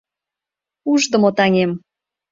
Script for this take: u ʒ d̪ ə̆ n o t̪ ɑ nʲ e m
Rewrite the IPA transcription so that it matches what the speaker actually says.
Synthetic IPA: u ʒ d̪ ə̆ m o t̪ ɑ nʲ e m